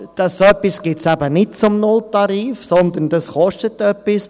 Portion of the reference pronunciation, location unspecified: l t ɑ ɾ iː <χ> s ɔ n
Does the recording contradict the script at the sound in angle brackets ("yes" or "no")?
yes